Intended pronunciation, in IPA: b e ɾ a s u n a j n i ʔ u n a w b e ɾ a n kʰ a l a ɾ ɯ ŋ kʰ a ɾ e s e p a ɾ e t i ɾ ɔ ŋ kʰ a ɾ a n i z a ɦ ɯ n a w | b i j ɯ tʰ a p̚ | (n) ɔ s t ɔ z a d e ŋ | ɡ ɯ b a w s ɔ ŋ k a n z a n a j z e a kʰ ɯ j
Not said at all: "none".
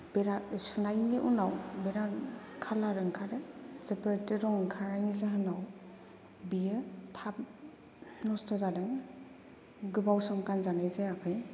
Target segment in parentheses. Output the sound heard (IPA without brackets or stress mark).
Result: n